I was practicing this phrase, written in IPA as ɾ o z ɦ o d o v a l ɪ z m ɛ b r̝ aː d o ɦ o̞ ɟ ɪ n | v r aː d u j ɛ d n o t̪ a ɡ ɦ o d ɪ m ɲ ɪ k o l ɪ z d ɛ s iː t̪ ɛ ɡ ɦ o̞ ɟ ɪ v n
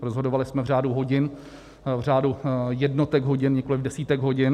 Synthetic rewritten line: ɾ o z ɦ o d o v a l ɪ s m ɛ v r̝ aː d u ɦ o̞ ɟ ɪ n | v r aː d u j ɛ d n o t̪ ɛ ɡ ɦ o ɟ ɪ n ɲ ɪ k o l ɪ v d ɛ s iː t̪ ɛ ɡ ɦ o̞ ɟ ɪ n